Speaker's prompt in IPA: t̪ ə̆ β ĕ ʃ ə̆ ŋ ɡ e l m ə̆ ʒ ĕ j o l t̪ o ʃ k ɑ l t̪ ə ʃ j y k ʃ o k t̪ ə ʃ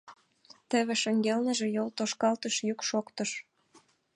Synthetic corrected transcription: t̪ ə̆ β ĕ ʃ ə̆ ŋ ɡ e l n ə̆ ʒ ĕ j o l t̪ o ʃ k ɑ l t̪ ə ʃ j y k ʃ o k t̪ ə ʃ